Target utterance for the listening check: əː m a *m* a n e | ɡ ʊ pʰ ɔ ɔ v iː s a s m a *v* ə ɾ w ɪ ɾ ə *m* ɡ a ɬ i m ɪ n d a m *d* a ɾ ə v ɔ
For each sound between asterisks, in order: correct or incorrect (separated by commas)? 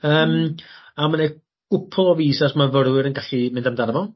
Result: correct, correct, incorrect, correct